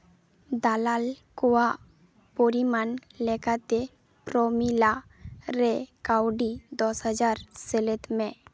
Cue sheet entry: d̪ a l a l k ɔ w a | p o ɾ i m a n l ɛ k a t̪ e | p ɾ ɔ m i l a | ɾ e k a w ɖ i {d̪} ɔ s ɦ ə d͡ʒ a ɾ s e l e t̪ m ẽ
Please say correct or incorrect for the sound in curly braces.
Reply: correct